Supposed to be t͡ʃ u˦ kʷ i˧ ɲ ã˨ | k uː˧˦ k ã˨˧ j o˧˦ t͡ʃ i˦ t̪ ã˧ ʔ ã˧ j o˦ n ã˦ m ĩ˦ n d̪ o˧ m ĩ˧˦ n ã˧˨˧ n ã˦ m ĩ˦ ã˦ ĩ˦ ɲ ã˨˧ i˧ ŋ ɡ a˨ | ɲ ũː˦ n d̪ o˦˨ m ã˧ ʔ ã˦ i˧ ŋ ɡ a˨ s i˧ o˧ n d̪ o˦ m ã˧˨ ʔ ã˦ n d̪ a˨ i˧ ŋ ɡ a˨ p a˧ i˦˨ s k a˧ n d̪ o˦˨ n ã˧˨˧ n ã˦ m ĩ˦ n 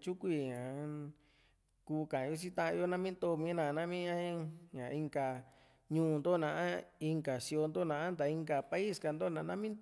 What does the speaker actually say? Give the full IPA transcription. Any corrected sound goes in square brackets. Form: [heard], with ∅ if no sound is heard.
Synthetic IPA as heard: t͡ʃ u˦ kʷ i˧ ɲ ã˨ | k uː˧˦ k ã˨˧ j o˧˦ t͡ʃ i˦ t̪ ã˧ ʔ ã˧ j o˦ n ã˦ m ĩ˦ n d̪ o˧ m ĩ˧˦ n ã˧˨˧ n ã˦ m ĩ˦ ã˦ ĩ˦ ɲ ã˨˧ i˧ ŋ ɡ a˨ | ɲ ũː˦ n d̪ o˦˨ [n] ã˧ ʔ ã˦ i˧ ŋ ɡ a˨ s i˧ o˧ n d̪ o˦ [n] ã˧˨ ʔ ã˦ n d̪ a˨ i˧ ŋ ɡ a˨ p a˧ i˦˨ s k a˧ n d̪ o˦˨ n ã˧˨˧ n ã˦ m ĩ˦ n